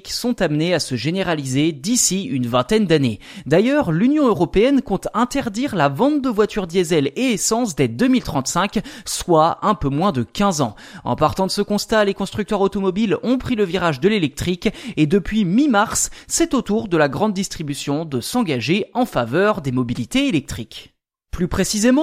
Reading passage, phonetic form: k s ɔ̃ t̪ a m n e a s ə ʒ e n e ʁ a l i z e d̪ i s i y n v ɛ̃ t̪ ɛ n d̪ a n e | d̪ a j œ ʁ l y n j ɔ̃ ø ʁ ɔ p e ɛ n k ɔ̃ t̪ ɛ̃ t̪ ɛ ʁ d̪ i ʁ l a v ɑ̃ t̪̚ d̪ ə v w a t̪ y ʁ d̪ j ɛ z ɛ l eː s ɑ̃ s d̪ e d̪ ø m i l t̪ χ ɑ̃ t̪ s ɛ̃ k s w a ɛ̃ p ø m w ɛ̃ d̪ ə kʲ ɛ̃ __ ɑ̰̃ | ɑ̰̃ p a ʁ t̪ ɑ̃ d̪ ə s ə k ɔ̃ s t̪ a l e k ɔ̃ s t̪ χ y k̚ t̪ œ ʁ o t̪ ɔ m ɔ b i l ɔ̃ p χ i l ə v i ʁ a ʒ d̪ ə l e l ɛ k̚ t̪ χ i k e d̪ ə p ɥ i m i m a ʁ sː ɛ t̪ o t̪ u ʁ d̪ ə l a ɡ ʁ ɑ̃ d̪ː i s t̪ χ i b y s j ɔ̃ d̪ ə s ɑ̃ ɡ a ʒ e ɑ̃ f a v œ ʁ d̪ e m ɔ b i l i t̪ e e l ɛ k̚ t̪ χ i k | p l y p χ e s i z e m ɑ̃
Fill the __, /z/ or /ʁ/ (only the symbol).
z